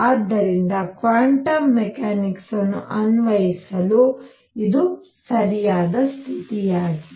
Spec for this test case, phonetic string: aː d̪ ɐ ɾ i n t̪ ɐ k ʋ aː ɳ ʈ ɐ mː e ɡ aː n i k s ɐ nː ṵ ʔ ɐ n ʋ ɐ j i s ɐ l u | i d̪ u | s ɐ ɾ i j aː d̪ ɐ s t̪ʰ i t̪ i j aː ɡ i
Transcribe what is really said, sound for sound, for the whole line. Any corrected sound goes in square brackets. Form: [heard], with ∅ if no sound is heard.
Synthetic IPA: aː [d̪ː] ɐ ɾ i n [d̪] ɐ k ʋ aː ɳ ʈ ɐ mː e [k] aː n i k s ɐ nː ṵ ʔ ɐ n ʋ ɐ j i s ɐ l u | i d̪ u | s ɐ ɾ i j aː d̪ ɐ s t̪ʰ i t̪ i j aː ɡ i